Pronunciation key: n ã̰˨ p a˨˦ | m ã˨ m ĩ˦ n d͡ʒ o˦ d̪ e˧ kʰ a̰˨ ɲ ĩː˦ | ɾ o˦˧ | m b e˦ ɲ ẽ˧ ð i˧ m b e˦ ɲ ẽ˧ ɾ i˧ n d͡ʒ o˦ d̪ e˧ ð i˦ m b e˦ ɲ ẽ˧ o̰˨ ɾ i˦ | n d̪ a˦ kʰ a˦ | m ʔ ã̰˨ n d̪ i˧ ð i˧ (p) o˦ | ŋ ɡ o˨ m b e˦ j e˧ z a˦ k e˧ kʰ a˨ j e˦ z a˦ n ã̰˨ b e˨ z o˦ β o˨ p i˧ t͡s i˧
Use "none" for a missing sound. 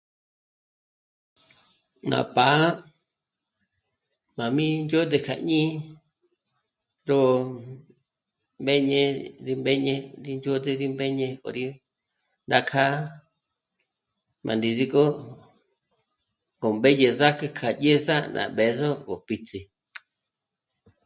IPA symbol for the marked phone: k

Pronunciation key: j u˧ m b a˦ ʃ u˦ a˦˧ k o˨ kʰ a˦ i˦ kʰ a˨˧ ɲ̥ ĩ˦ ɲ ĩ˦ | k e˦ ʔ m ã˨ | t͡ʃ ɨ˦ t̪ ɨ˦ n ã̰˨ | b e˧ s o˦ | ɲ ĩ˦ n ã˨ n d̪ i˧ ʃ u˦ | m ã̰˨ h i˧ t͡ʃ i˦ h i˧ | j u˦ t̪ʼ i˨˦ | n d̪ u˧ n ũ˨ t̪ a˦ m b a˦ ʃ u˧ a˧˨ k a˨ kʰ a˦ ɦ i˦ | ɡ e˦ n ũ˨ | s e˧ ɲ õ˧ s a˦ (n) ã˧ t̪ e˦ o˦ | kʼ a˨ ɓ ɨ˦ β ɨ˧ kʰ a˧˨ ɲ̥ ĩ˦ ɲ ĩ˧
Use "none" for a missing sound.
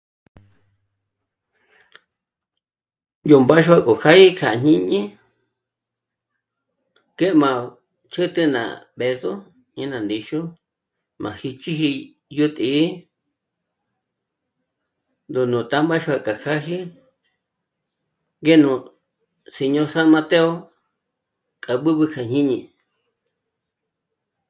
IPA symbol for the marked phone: m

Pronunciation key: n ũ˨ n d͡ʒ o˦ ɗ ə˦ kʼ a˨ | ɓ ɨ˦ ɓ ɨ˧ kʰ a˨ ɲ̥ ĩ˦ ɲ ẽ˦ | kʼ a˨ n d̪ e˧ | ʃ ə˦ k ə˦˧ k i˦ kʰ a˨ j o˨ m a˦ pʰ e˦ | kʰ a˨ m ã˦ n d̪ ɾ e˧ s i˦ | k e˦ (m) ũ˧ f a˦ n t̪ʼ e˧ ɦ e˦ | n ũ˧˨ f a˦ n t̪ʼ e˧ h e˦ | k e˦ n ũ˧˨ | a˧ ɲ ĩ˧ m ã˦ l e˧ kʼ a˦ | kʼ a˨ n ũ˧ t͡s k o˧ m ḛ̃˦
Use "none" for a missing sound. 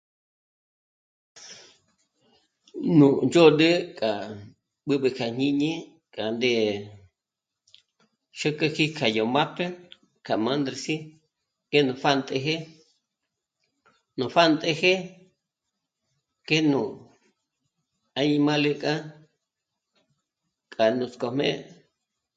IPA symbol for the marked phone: n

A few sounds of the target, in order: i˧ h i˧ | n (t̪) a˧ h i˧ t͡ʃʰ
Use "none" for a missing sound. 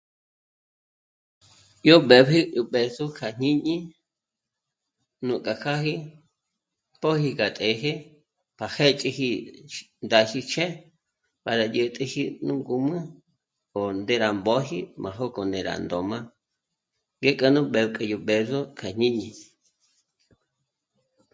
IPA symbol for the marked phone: d̪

